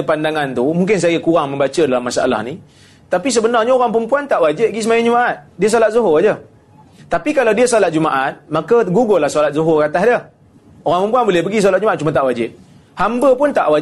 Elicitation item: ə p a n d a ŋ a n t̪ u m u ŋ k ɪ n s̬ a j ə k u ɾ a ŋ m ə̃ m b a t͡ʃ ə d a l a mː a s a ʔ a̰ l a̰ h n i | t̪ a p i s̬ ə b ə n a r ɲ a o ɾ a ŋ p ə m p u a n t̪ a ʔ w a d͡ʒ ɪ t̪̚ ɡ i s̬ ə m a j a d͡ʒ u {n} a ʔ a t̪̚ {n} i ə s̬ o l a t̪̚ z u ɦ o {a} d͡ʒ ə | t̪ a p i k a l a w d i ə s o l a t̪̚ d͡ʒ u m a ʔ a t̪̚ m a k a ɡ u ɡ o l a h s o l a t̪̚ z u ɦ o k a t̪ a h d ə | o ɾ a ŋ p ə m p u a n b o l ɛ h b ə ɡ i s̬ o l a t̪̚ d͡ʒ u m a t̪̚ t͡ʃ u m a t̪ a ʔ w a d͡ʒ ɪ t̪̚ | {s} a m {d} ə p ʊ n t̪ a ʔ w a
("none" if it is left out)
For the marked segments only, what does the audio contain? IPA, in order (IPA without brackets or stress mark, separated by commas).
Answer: m, d, a, h, b